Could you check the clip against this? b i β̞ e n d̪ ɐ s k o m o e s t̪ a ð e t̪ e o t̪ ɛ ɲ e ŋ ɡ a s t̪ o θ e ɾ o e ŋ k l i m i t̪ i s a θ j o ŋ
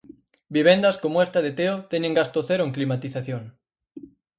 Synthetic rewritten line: b i β̞ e n d̪ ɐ s k o m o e s t̪ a ð e t̪ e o t̪ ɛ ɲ e ŋ ɡ a s t̪ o θ e ɾ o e ŋ k l i m a t̪ i θ a θ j o ŋ